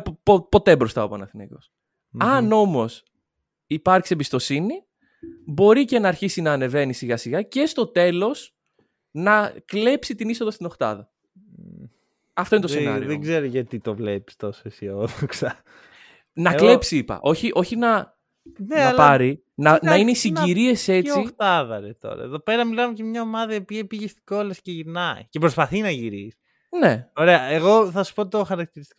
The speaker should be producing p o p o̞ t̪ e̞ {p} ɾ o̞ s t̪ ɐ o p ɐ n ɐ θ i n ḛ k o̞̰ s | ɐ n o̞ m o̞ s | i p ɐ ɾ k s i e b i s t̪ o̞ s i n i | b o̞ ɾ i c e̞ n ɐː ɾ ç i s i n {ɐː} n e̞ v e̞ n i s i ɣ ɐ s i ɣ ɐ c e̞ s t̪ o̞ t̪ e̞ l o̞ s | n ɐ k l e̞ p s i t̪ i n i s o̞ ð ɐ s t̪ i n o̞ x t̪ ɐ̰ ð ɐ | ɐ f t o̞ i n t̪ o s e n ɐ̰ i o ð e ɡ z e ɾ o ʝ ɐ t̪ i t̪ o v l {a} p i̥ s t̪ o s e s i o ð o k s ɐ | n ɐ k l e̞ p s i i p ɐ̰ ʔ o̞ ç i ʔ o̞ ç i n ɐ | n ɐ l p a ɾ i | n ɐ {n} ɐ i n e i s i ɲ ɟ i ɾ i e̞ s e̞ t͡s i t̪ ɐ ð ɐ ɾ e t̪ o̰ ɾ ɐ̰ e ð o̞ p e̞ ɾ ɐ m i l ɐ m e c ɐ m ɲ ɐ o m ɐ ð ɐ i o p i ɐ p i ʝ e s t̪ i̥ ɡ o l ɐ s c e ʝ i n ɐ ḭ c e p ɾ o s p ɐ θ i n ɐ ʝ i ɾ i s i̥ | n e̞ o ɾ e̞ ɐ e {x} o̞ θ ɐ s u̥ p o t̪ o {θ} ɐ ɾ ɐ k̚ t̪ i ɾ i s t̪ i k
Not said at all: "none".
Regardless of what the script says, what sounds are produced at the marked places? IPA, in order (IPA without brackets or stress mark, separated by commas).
b, ɐː, e, n, ɣ, x